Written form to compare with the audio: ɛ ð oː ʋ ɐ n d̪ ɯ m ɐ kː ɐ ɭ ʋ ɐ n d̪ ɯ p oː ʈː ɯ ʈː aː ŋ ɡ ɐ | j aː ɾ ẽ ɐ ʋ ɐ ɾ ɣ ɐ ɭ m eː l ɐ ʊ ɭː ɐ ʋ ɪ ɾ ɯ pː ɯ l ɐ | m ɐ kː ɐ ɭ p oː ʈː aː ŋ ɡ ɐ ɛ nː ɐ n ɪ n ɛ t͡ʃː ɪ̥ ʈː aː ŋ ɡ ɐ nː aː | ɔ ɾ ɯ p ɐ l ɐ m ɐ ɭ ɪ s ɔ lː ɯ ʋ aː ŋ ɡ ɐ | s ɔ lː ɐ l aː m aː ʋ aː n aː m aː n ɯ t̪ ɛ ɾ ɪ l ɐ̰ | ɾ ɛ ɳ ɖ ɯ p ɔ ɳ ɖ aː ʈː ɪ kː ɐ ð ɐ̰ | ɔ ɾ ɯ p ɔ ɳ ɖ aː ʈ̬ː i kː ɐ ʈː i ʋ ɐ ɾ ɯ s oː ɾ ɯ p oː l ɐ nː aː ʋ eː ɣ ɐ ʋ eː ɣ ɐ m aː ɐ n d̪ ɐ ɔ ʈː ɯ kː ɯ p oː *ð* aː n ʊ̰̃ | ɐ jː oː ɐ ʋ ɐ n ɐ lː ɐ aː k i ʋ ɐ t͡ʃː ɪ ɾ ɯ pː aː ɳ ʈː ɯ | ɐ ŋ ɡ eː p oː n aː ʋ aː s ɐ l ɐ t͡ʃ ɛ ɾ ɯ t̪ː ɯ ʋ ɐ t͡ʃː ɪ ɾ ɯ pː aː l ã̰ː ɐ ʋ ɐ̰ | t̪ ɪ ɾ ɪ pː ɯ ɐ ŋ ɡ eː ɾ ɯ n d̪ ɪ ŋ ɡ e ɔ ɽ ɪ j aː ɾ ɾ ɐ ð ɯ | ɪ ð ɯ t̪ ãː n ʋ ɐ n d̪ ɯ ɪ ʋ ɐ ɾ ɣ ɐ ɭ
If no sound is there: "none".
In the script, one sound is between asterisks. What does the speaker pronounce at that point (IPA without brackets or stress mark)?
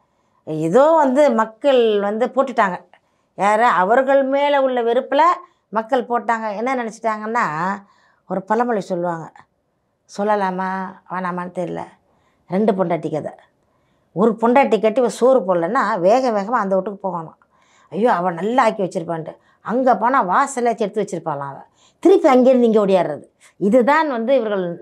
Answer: ɣ